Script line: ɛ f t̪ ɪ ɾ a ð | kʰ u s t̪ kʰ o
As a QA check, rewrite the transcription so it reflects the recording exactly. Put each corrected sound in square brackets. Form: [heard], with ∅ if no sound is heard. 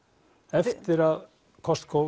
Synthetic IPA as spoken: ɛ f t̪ ɪ ɾ a ð | kʰ [ɔ] s t̪ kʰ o